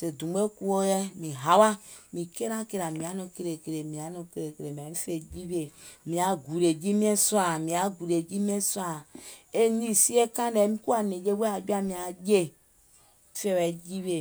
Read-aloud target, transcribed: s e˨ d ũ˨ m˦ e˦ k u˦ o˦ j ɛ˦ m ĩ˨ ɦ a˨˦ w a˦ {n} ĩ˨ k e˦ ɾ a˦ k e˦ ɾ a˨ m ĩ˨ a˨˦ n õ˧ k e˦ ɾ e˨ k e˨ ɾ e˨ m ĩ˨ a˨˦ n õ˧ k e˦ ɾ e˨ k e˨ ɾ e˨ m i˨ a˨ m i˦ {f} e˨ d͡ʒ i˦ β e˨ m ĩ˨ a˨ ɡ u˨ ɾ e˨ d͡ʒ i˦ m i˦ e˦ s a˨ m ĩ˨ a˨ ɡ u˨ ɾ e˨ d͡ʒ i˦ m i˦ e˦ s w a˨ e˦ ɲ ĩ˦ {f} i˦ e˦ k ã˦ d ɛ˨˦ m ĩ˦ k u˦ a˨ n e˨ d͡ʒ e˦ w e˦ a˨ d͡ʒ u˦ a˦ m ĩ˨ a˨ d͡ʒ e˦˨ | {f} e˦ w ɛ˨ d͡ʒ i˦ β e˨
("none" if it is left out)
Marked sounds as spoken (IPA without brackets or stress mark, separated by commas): m, f, s, f